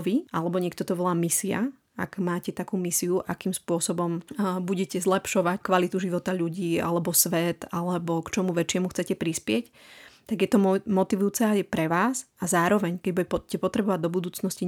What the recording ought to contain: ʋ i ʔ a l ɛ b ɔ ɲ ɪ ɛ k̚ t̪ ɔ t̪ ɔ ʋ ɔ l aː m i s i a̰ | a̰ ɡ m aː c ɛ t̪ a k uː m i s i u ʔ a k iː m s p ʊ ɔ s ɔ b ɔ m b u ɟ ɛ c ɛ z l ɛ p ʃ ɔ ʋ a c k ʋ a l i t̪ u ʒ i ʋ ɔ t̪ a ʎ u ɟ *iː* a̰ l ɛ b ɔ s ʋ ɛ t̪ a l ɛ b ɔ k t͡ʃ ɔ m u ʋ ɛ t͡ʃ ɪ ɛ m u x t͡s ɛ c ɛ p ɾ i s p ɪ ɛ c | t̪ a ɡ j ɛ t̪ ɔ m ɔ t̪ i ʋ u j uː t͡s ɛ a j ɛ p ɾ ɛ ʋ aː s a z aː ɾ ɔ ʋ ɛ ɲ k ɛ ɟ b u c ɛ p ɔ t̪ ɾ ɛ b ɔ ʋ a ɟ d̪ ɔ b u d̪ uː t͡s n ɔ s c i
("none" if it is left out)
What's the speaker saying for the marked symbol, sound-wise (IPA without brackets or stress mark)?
iː